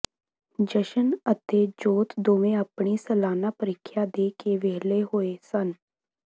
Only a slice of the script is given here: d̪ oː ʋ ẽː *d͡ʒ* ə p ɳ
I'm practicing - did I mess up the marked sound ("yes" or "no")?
yes